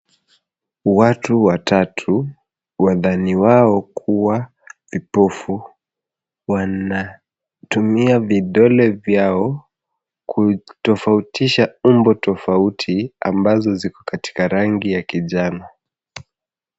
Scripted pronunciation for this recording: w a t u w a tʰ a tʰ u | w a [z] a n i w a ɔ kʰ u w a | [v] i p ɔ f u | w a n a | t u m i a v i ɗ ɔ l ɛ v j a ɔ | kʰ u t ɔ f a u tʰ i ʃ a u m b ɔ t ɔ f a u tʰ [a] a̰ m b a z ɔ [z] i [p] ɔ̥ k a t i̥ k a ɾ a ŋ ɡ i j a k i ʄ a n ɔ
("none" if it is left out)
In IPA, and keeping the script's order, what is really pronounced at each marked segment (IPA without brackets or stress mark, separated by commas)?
ð, v, i, z, k